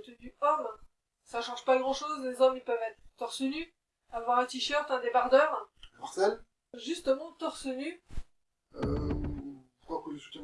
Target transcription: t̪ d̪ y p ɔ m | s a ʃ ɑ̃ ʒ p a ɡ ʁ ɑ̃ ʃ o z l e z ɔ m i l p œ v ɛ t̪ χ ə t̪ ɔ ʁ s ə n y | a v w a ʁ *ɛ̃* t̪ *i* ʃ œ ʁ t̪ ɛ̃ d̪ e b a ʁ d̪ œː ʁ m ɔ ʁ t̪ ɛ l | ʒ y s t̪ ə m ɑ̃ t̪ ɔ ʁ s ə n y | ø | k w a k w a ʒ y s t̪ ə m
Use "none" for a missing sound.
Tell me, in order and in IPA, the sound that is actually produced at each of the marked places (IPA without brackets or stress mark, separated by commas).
ɛ̃, i